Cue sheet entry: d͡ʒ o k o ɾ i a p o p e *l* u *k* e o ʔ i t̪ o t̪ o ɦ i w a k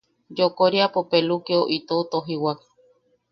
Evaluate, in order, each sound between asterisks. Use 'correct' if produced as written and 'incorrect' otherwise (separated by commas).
correct, correct